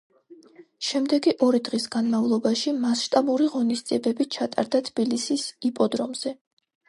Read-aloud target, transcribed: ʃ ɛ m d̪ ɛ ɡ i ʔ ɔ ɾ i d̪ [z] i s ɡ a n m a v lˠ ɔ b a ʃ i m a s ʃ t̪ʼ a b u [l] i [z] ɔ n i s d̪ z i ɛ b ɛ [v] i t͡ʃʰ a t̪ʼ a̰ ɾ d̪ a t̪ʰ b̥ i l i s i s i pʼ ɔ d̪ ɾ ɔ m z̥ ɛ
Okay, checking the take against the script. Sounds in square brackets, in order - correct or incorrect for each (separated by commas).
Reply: incorrect, incorrect, incorrect, incorrect